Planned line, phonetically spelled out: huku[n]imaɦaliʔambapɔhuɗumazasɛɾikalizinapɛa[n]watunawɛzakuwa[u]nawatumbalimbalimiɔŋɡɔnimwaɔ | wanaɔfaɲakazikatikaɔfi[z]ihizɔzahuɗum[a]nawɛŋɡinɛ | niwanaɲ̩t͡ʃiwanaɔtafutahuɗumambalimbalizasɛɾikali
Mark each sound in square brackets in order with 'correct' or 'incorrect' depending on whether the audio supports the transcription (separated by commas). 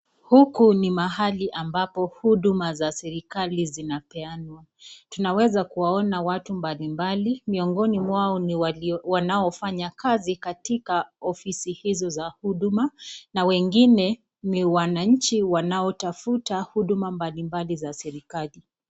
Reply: correct, correct, incorrect, incorrect, correct